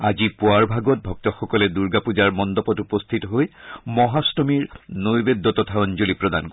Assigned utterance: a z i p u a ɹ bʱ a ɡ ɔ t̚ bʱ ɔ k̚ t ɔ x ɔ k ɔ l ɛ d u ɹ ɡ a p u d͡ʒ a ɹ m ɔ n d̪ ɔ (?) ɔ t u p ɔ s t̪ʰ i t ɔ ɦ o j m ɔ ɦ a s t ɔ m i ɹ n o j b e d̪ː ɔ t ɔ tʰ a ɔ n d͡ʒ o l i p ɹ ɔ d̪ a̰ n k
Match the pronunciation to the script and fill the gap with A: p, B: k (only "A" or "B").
A